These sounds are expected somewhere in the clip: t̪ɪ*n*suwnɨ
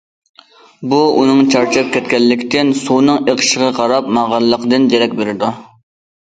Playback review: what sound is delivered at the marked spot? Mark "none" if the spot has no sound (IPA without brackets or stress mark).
n